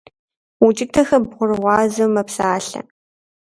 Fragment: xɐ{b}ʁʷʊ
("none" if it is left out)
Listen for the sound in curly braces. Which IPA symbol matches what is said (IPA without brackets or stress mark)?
b